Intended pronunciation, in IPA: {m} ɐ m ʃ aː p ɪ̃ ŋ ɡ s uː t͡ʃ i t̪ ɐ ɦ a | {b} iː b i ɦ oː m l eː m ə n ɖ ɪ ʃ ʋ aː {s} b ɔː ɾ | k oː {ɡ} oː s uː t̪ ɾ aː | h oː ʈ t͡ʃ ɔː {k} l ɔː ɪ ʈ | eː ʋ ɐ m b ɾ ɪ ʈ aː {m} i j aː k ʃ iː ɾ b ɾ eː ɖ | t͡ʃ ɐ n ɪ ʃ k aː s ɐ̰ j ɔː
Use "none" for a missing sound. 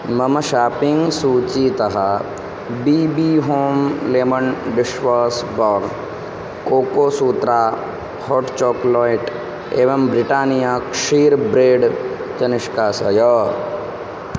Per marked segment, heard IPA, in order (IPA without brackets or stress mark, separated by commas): m, b, s, k, k, n